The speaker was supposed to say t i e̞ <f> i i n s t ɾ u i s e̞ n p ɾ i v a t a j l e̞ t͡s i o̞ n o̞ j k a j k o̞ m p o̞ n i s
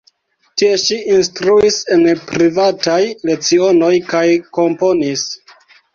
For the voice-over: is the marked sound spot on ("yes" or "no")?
no